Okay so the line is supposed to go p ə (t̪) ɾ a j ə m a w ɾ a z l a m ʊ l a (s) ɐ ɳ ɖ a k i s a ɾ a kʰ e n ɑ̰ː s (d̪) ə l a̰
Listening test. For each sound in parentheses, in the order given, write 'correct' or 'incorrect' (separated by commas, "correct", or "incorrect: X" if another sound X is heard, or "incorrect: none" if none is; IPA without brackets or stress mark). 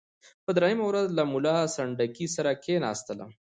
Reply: incorrect: d̪, correct, incorrect: t̪